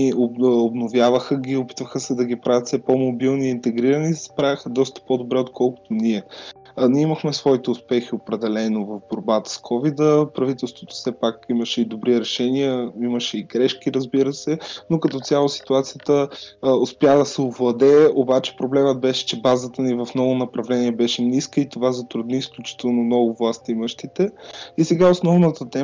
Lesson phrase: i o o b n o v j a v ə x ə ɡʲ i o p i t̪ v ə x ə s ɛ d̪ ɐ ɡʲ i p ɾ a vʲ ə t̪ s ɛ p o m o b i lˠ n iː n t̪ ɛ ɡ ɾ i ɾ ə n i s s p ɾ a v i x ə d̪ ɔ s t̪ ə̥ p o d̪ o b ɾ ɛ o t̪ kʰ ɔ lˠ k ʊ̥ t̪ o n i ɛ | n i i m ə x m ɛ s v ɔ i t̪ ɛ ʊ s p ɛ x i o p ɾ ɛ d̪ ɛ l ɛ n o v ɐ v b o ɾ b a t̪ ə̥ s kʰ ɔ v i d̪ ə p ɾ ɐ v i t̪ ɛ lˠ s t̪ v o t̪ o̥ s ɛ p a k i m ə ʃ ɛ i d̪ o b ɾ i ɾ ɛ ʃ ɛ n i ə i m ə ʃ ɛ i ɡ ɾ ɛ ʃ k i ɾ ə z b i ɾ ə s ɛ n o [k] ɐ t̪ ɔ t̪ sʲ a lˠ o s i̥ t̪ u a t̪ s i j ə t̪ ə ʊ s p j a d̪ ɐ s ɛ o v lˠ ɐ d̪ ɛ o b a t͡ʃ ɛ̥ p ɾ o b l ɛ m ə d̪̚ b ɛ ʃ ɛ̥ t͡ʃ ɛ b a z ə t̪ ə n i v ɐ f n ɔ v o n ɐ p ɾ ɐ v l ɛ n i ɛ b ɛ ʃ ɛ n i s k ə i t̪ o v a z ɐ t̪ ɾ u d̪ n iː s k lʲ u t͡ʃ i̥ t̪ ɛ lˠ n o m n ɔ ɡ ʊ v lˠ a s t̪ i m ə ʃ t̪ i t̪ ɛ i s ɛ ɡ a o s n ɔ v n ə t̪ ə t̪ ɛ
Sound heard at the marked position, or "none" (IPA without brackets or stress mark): k